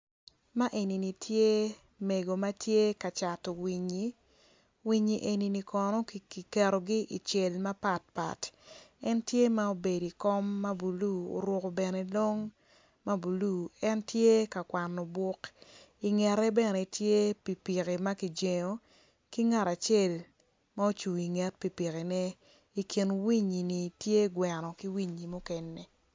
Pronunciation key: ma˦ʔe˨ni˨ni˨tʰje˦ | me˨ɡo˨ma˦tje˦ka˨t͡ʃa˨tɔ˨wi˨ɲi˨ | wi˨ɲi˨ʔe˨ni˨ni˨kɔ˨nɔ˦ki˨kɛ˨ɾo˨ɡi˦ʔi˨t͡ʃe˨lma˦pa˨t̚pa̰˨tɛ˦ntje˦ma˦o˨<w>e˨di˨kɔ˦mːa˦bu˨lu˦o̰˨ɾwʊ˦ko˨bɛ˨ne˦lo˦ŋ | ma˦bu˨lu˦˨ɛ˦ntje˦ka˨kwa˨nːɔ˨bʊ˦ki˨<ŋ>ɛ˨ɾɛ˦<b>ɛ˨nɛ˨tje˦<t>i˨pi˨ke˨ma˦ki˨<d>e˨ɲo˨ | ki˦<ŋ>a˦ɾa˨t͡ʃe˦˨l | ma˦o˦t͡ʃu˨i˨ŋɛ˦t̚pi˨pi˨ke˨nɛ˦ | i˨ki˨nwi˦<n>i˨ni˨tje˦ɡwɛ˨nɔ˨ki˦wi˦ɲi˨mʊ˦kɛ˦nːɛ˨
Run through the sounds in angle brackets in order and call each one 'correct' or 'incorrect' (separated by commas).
incorrect, correct, correct, incorrect, incorrect, correct, incorrect